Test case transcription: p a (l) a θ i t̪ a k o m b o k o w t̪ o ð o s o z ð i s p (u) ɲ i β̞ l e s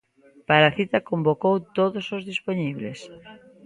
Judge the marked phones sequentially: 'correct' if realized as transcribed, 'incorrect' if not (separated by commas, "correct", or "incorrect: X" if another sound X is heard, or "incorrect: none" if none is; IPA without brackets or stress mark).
incorrect: ɾ, incorrect: o